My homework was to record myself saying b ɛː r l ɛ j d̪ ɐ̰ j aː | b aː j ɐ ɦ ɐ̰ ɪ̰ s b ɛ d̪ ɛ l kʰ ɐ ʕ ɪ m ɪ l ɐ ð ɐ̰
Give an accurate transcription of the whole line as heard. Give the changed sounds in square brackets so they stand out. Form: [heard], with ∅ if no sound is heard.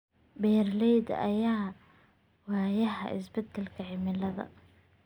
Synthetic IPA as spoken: b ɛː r l ɛ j d̪ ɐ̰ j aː | [w] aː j ɐ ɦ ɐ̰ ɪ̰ s b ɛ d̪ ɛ l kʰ ɐ ʕ ɪ m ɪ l ɐ ð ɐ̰